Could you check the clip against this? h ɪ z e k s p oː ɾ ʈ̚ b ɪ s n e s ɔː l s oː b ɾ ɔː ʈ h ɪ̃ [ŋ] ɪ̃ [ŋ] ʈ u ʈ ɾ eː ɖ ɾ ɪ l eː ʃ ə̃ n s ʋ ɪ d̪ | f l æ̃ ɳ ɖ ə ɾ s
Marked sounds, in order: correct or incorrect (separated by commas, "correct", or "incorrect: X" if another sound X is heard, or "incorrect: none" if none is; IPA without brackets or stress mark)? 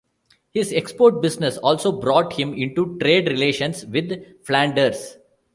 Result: incorrect: m, incorrect: ɳ